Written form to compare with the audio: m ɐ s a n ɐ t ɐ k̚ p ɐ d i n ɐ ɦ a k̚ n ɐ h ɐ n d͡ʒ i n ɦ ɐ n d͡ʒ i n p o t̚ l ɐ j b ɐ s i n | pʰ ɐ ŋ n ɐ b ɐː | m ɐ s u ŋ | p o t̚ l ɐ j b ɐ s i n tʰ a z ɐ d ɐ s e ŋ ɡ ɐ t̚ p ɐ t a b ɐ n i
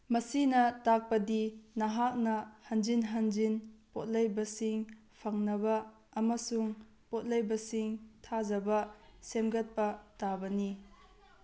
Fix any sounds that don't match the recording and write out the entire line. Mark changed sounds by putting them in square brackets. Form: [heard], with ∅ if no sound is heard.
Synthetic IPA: m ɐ s [i] n ɐ t [a] k̚ p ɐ d i n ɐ ɦ a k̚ n ɐ h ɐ n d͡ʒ i n ɦ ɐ n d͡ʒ i n p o t̚ l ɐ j b ɐ s i [ŋ] | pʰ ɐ ŋ n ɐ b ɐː | m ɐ s u ŋ | p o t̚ l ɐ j b ɐ s i [ŋ] tʰ a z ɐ [b] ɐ s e [m] ɡ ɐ t̚ p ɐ t a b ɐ n i